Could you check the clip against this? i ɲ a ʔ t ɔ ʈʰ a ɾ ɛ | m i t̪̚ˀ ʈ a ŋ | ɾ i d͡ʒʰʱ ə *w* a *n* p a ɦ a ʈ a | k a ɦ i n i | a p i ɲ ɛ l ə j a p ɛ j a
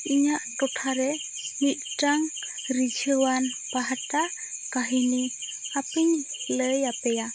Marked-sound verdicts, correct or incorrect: correct, correct

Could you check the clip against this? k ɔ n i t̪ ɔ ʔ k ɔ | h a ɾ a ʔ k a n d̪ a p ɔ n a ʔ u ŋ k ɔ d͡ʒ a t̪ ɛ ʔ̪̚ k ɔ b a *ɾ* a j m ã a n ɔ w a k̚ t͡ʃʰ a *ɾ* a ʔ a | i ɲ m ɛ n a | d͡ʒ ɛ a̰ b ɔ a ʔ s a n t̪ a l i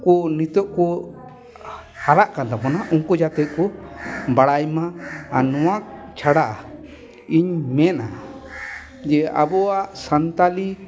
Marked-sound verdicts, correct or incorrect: incorrect, incorrect

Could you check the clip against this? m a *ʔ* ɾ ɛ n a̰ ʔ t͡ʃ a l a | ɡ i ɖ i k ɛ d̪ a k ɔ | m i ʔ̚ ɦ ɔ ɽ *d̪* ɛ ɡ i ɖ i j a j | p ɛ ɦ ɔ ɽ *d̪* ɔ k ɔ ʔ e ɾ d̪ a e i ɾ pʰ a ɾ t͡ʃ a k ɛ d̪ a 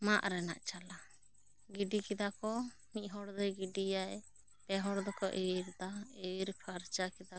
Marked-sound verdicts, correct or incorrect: correct, correct, correct

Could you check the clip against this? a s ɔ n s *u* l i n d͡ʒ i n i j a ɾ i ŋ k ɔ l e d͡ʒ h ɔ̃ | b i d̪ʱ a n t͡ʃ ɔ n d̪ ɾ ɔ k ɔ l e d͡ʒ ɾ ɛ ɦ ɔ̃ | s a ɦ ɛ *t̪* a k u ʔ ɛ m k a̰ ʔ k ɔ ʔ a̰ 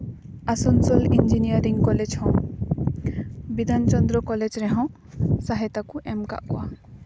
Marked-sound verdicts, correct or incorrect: incorrect, correct

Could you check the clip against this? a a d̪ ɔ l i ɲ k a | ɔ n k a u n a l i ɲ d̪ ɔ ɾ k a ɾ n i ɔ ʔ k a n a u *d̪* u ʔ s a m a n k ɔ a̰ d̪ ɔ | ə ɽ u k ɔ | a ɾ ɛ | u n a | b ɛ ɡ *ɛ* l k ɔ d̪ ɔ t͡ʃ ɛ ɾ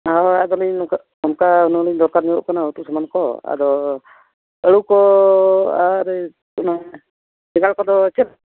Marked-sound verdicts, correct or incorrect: incorrect, incorrect

